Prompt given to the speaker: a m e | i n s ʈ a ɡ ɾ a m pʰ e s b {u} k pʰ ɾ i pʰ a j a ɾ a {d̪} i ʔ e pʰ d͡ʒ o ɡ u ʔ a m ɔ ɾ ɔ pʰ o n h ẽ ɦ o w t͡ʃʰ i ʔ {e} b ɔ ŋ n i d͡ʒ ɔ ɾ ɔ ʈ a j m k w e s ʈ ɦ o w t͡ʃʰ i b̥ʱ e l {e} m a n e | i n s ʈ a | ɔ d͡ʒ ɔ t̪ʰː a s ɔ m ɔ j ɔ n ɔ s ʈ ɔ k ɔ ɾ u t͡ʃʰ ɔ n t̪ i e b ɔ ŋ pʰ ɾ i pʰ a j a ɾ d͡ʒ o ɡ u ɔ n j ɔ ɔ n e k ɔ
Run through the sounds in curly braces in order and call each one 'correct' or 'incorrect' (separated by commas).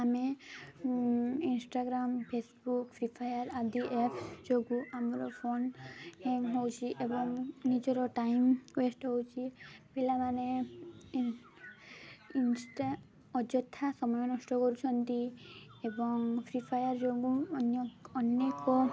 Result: correct, correct, correct, incorrect